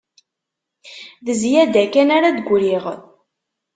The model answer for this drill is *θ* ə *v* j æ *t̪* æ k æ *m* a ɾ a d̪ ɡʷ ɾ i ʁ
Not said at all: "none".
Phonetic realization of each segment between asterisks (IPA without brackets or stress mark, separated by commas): ð, z, d̪, n